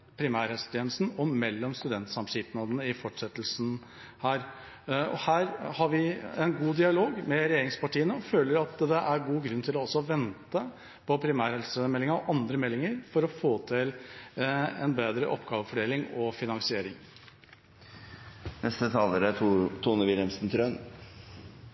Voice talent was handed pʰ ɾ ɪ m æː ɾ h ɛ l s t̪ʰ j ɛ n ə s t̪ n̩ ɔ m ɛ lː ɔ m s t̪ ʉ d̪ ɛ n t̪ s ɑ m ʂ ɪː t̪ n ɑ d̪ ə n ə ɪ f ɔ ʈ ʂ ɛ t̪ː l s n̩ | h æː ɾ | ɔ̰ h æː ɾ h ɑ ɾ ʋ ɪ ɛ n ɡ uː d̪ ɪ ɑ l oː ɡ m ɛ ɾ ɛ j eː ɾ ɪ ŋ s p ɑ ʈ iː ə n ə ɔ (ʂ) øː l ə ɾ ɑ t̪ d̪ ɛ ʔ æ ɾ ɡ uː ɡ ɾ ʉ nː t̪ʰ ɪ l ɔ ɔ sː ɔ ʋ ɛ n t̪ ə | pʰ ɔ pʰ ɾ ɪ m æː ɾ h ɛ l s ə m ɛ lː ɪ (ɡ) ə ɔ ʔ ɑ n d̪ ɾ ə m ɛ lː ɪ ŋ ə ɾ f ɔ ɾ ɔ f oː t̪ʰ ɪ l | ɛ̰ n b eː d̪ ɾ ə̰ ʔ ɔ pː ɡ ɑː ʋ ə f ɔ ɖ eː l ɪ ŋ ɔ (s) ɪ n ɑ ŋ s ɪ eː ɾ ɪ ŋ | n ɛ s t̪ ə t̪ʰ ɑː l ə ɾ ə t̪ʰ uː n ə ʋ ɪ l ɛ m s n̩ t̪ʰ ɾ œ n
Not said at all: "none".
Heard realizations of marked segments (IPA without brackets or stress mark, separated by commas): f, ŋ, f